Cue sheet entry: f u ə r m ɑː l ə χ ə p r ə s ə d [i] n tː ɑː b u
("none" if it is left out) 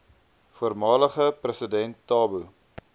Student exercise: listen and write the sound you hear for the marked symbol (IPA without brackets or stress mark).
ɛ